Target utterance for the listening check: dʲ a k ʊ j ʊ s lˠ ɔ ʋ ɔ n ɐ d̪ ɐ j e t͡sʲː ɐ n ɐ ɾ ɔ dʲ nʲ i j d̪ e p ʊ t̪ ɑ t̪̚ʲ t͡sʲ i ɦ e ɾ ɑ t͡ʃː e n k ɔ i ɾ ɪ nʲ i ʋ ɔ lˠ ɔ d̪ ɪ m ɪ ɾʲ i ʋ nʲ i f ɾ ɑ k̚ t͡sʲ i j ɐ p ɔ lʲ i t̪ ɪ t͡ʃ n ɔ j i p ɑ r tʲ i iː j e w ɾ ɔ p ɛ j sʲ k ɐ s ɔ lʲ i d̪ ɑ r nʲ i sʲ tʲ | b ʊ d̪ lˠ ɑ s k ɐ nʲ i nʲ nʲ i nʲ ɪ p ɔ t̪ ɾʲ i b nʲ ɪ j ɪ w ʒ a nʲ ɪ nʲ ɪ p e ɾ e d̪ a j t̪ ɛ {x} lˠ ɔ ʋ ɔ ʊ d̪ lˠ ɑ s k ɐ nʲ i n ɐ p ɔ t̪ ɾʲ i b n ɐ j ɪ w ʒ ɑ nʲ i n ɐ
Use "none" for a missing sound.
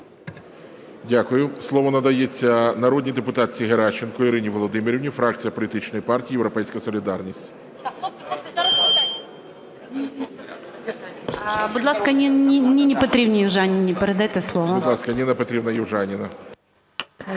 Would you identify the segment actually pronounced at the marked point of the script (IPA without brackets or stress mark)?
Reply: s